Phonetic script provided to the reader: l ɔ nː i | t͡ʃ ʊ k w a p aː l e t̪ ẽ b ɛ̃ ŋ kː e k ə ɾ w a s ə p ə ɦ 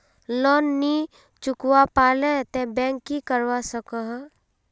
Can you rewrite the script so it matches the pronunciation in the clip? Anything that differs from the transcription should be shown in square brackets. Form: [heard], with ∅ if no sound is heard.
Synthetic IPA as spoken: l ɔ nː i | t͡ʃ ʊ k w a p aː l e t̪ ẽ b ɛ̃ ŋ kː [i] k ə ɾ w a s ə [k] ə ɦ